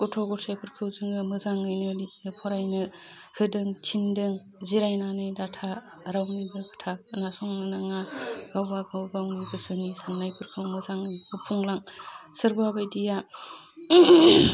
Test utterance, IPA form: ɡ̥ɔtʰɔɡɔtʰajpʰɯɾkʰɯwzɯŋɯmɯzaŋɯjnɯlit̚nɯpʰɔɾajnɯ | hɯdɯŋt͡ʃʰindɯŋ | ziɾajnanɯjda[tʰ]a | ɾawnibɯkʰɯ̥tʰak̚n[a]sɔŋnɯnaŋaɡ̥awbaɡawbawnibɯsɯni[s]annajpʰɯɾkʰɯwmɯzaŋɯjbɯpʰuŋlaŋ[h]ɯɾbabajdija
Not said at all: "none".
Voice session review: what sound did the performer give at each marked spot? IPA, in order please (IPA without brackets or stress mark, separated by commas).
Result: tʰ, a, s, s